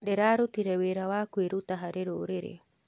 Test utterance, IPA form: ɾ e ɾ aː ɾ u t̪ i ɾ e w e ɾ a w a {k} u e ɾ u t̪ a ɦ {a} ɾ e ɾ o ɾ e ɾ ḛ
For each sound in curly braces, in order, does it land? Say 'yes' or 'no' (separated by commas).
yes, yes